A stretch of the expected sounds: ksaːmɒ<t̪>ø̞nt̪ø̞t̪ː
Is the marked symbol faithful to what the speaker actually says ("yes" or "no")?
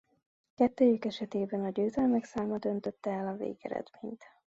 no